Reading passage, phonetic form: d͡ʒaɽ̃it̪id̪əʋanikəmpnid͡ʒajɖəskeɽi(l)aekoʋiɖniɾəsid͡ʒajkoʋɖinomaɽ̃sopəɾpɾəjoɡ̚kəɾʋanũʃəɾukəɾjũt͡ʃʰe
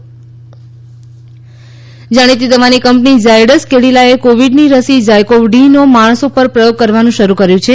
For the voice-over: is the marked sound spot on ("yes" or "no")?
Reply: yes